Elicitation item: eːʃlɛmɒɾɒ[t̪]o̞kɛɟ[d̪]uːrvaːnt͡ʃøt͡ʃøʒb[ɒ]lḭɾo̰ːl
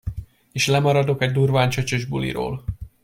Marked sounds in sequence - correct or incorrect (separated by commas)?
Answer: incorrect, correct, incorrect